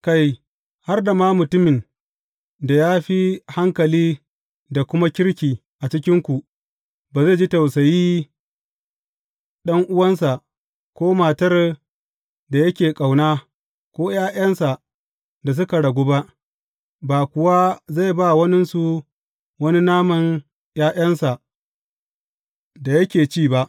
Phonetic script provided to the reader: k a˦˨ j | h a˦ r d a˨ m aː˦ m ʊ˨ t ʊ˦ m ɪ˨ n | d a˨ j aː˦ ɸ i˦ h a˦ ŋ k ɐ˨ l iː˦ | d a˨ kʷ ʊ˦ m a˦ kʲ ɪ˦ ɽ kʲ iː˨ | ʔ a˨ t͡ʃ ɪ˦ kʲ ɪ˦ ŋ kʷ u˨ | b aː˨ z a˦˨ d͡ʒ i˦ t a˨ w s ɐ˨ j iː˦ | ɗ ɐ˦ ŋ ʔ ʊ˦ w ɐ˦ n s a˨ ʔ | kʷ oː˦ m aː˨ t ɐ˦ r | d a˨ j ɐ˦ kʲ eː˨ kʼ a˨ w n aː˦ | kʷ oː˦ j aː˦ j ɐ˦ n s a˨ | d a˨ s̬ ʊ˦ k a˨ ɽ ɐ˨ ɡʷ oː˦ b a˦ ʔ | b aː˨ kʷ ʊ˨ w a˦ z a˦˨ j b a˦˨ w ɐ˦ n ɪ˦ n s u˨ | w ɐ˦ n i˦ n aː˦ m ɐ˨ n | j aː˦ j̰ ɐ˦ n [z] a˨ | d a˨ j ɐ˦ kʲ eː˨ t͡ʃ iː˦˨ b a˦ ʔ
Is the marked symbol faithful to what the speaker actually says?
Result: no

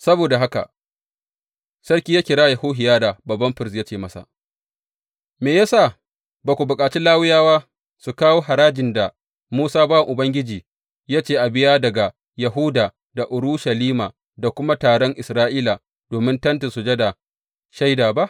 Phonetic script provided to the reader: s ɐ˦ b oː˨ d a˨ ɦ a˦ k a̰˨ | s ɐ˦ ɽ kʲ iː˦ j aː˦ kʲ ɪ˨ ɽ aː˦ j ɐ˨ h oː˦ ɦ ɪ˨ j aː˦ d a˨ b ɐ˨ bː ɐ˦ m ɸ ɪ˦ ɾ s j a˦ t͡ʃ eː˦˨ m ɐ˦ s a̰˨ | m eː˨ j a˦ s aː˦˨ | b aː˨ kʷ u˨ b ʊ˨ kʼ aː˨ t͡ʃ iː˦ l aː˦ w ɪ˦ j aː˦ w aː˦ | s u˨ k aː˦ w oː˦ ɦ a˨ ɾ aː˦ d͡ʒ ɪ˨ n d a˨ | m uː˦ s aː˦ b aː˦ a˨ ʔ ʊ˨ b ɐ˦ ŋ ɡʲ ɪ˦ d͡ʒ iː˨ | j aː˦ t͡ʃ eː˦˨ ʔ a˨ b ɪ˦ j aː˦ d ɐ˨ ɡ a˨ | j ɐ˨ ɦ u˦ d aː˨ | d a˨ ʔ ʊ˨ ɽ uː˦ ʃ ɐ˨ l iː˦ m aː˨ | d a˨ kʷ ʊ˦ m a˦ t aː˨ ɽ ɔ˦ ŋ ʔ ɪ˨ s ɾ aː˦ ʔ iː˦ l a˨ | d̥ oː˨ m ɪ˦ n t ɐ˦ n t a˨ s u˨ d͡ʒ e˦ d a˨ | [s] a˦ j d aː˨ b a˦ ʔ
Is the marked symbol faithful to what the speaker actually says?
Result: no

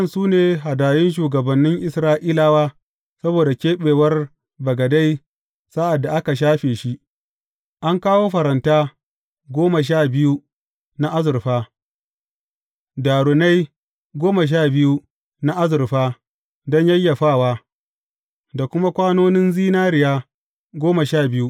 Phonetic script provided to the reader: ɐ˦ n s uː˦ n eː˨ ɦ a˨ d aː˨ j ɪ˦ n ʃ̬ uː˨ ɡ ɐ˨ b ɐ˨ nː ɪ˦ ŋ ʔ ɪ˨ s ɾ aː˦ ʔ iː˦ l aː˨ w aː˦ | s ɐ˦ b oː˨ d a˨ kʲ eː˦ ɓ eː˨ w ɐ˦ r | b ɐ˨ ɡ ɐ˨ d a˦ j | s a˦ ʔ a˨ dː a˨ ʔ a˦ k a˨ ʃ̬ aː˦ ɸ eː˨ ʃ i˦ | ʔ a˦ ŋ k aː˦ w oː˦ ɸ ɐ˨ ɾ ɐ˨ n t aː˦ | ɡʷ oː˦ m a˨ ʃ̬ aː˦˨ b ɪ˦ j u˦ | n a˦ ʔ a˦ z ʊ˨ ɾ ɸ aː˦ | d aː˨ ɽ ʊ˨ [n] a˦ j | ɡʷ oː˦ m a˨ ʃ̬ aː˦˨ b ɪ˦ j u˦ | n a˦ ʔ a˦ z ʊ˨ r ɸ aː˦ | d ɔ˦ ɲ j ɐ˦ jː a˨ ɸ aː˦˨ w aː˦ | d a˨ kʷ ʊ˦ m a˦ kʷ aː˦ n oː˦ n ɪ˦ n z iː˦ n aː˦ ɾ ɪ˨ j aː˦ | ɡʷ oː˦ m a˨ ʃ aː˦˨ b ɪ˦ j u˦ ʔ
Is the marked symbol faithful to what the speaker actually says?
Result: yes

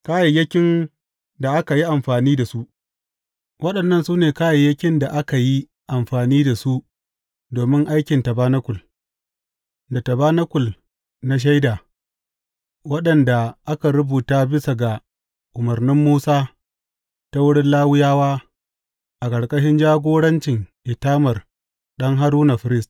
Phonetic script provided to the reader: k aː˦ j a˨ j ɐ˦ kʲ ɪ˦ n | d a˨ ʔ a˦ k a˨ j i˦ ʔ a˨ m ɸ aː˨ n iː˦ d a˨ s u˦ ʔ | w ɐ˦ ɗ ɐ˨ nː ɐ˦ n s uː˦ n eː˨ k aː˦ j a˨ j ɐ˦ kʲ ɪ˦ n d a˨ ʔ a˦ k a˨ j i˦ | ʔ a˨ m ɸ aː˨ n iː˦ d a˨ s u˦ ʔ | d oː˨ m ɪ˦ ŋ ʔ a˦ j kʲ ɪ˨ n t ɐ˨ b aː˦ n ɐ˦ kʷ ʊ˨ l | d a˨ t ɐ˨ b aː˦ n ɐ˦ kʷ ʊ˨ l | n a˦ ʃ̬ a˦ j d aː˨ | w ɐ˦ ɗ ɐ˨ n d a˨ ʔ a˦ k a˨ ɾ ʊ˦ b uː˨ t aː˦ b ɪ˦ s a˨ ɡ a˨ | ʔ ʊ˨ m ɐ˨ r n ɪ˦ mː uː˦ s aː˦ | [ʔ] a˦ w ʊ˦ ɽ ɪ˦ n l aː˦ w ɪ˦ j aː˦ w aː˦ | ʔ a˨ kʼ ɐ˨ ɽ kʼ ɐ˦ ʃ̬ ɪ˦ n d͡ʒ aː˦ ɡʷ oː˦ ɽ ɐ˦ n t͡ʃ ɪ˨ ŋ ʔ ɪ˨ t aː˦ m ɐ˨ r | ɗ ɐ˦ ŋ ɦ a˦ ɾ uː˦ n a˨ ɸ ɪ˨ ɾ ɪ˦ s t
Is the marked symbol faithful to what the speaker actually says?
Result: no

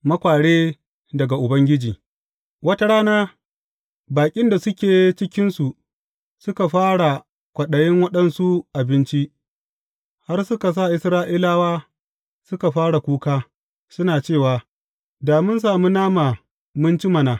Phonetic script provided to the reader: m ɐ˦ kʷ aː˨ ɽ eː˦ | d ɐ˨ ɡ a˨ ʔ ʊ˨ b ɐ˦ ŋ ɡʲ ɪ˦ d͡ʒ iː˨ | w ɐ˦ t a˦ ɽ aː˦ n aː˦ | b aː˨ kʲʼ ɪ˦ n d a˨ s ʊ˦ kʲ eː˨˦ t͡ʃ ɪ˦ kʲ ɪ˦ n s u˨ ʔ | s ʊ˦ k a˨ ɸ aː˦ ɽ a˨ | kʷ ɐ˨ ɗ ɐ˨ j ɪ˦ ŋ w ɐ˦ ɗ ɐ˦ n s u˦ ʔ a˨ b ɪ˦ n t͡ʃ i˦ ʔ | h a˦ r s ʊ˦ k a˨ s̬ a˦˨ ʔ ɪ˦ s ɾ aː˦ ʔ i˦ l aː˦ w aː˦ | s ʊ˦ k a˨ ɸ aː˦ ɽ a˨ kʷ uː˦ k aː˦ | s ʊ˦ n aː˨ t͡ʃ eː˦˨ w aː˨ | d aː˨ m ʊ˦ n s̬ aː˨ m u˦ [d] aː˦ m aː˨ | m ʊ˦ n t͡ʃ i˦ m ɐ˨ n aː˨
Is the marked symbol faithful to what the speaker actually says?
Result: no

